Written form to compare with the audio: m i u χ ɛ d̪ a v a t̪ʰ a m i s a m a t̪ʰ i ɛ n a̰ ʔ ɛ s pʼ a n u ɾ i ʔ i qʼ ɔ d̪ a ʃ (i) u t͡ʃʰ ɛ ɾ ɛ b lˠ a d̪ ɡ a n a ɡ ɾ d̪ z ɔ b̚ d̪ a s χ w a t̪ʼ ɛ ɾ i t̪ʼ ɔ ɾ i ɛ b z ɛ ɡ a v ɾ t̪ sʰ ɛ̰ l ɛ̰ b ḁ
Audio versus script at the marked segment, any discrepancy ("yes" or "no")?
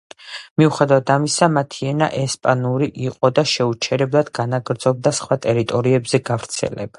yes